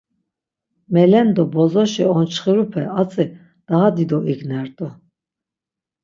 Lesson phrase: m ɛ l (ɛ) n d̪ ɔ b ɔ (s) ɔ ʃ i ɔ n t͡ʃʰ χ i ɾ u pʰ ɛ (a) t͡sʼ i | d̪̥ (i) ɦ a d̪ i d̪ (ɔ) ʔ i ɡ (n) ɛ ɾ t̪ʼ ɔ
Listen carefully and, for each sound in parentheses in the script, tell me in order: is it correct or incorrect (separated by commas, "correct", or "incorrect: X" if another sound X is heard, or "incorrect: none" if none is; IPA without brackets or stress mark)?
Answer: correct, incorrect: z, correct, incorrect: a, correct, correct